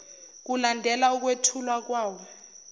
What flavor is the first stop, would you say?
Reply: plain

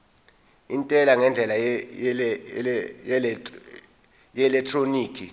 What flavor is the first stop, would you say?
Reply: ejective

